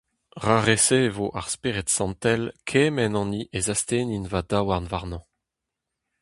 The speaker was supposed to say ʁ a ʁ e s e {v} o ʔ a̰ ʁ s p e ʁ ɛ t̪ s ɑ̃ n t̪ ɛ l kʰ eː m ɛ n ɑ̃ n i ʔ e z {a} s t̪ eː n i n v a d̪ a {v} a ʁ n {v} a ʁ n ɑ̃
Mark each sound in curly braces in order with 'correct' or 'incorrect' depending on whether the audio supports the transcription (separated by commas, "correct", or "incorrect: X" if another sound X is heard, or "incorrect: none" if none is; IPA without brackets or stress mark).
correct, correct, incorrect: w, correct